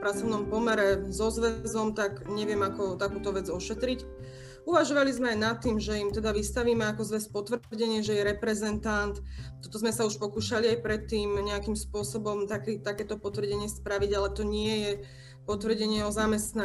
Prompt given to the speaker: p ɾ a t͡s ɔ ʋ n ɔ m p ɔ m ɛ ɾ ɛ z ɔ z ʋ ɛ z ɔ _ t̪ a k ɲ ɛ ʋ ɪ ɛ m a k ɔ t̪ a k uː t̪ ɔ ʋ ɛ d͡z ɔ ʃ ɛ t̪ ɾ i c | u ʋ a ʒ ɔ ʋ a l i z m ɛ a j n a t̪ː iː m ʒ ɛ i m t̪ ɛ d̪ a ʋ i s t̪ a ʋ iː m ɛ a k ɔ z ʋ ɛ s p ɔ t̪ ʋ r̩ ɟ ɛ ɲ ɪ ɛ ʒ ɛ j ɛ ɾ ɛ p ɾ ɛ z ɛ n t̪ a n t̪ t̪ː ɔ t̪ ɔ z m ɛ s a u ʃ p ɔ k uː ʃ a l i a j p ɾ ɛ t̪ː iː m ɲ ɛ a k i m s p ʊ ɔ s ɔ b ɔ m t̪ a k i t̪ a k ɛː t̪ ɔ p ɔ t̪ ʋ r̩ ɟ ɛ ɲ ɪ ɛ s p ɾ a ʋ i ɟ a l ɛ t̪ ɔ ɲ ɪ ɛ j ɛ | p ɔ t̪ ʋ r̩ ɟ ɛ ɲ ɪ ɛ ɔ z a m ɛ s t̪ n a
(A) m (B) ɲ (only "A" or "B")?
A